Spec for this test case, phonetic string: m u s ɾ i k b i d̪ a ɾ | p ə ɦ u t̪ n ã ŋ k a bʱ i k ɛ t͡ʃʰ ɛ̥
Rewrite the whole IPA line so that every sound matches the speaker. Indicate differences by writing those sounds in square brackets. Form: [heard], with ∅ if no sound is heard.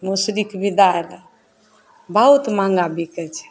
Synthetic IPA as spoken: m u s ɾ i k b i d̪ a ɾ | [b] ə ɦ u t̪ [m] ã ŋ [ɡ] a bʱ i k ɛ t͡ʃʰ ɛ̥